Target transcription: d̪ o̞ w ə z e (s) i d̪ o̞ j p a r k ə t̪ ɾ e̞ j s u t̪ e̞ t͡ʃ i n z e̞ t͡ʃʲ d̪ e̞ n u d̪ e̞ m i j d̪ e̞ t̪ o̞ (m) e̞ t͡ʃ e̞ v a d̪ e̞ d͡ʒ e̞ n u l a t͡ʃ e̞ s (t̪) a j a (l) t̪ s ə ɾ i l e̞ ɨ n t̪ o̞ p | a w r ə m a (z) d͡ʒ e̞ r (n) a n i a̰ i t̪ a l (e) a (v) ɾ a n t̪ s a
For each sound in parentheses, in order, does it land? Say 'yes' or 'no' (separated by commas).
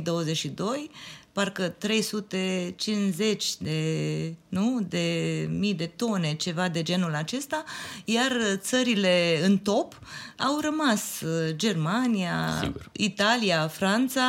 no, no, yes, no, no, no, no, no